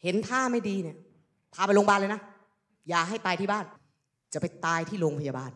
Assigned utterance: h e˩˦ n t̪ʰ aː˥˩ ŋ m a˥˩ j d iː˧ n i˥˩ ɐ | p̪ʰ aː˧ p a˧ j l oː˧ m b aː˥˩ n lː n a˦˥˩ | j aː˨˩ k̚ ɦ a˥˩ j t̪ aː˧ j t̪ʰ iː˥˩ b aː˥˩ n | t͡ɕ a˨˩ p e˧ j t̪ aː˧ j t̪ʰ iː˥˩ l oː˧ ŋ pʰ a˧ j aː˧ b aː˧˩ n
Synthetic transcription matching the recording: h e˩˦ n t̪ʰ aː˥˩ m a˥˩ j d iː˧ n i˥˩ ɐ | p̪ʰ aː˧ p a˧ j l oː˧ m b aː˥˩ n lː n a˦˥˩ | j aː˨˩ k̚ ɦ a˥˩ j t̪ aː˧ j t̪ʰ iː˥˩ b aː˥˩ n | t͡ɕ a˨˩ p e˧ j t̪ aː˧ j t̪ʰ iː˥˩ l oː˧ ŋ pʰ a˧ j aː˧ b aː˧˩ n